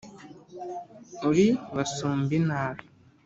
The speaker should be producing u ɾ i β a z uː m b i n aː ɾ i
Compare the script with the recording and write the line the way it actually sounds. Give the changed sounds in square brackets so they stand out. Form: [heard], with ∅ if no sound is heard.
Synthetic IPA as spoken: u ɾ i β a [s] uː m b i n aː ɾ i